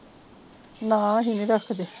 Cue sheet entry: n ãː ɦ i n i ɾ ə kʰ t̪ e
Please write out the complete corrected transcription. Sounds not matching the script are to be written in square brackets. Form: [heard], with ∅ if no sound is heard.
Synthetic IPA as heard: n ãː ɦ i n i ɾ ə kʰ [d̪] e